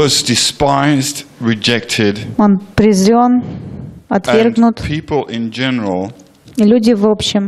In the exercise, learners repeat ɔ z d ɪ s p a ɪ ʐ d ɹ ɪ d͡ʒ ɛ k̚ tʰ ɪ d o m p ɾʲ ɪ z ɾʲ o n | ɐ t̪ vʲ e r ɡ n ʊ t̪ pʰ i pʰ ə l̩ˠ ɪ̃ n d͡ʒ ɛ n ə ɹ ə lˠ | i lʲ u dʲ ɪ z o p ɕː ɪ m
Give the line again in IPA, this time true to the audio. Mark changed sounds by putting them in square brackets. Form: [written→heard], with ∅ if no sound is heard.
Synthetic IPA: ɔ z d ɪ s p a ɪ [ʐ→z] d ɹ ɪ d͡ʒ ɛ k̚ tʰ ɪ d o [m→n] p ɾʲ ɪ z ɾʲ o n | ɐ t̪ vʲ e r ɡ n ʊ t̪ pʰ i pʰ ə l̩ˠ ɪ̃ n d͡ʒ ɛ n ə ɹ ə lˠ | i lʲ u dʲ ɪ [z→v] o p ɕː ɪ m